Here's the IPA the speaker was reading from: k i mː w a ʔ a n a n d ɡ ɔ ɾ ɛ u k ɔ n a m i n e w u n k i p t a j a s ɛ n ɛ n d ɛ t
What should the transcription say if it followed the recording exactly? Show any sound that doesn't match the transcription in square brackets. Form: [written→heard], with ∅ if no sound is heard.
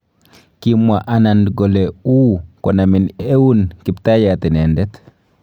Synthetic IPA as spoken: k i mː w a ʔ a n a n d ɡ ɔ [ɾ→l] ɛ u k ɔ n a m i n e w u n k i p t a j a [s→t] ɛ n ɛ n d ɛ t